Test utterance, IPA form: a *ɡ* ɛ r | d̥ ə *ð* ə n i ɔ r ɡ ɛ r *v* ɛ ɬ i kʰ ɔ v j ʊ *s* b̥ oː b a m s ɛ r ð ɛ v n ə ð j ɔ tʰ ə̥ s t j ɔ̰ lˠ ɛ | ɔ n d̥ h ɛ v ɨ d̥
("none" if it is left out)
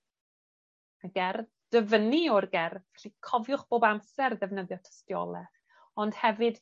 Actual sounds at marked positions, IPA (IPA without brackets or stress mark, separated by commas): ɡ, v, v, χ